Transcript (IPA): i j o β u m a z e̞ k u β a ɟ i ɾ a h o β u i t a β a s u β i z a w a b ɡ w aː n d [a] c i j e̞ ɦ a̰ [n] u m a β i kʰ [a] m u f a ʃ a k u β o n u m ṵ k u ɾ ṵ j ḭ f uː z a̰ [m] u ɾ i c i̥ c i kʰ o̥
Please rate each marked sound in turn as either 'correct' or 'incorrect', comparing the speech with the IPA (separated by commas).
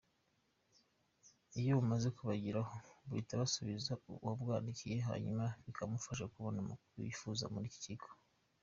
incorrect, incorrect, correct, correct